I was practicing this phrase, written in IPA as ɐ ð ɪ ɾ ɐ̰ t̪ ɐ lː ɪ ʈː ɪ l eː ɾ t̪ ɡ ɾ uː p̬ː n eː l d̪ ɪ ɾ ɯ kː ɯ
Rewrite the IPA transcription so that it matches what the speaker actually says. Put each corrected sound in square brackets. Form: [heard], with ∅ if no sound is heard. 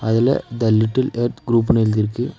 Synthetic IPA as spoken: ɐ ð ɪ [l] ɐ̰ [d̪] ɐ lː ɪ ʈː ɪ l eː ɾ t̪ ɡ ɾ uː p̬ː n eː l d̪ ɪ ɾ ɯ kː ɯ